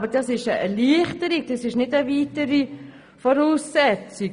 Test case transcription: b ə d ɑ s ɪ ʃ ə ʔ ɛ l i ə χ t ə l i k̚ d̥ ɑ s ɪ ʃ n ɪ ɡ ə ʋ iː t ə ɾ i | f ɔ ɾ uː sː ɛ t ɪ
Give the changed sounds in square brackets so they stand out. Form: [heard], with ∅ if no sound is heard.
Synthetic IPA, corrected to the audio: b ə d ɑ s ɪ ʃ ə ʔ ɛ l i ə χ t ə [ɾ] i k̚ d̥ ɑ s ɪ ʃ n ɪ [d] ə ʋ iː t ə ɾ i | f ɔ ɾ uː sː ɛ [t͡s] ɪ